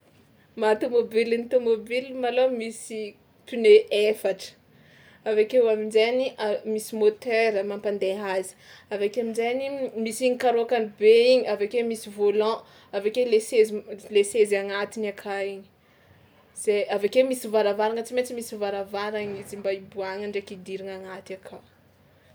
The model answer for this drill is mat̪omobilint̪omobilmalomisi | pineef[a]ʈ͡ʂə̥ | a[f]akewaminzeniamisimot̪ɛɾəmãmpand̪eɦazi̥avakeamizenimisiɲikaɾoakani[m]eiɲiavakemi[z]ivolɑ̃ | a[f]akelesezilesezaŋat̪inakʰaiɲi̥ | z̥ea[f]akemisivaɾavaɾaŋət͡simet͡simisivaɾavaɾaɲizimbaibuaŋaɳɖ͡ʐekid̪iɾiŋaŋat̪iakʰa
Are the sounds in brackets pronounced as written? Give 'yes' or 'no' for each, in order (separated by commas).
yes, no, no, no, no, no